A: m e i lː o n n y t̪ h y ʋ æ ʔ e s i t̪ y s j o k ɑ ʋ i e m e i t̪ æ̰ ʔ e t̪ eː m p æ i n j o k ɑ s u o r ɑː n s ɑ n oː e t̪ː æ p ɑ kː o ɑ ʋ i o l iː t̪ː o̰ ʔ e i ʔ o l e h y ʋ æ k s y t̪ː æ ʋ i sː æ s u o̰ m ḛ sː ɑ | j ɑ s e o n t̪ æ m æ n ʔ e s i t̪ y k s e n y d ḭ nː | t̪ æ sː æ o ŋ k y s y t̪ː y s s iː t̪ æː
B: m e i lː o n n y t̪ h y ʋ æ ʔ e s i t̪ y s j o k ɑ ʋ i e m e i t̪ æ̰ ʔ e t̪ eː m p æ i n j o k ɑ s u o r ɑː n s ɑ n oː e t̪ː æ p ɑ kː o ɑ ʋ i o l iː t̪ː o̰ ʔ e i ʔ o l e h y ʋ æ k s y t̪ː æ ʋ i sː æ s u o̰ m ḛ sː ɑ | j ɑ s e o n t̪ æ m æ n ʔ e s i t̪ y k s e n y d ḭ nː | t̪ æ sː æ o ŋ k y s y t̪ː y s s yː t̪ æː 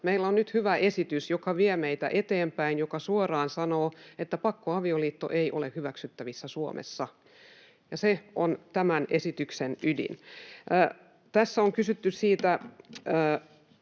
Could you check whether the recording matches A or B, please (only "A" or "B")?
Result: A